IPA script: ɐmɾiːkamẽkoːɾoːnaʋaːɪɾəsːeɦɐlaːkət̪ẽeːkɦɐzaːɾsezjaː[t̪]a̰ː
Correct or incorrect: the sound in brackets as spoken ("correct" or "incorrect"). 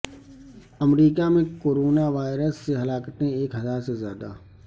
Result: incorrect